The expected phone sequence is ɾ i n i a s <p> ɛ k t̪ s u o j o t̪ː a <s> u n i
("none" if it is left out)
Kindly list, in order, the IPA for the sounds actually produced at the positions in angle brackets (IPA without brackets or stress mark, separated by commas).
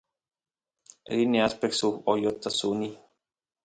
p, s